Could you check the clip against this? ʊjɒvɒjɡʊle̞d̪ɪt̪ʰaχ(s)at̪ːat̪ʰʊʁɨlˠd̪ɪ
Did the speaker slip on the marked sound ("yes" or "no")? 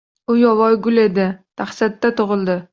no